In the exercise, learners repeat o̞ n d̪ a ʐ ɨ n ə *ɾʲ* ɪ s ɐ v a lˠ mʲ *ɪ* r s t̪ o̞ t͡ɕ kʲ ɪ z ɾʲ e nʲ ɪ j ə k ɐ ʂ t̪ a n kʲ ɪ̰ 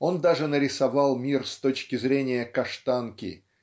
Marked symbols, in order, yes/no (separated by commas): yes, no